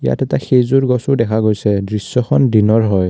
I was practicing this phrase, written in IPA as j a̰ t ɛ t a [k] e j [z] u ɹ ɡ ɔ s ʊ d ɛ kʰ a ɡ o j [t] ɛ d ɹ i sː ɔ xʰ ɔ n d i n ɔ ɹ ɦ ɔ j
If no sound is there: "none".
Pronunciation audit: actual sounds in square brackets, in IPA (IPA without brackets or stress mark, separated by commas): x, z, s